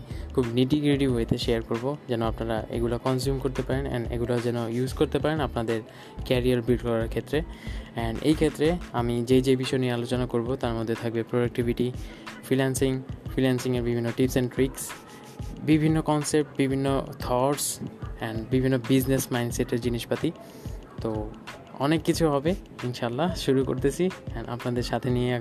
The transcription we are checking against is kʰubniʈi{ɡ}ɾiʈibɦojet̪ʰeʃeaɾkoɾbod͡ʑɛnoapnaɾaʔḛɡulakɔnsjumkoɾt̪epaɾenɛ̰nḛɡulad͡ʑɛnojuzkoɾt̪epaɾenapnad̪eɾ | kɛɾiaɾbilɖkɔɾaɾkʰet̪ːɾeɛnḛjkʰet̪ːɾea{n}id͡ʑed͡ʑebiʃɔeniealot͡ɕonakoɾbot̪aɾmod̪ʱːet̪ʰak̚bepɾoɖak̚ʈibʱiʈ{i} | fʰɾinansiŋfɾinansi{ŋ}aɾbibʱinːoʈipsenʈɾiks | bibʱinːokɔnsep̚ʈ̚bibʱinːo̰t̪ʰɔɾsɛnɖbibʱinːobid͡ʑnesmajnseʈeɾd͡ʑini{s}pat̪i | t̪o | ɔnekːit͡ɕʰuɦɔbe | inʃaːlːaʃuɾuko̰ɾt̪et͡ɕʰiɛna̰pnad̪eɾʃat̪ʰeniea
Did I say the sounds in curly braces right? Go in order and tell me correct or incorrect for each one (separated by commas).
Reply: correct, incorrect, correct, correct, incorrect